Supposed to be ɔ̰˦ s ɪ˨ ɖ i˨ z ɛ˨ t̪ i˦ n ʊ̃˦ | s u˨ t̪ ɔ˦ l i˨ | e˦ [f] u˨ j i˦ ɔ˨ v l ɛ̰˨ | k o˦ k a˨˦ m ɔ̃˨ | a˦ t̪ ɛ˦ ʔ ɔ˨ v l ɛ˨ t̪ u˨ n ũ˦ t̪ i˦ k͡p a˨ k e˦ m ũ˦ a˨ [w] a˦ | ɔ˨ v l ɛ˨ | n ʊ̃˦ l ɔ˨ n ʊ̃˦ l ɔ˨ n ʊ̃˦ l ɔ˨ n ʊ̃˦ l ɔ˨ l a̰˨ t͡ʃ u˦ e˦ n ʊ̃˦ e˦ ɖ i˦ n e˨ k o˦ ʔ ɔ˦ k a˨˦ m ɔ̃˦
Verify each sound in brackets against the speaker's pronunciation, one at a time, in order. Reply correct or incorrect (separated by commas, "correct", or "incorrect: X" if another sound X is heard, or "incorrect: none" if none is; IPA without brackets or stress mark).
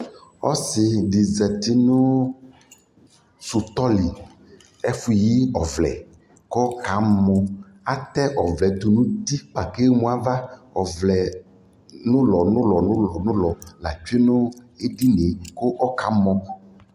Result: correct, incorrect: v